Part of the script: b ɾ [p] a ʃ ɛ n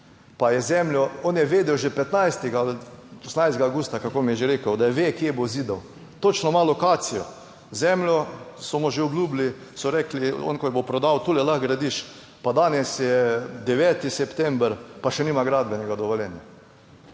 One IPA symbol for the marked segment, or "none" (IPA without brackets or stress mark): p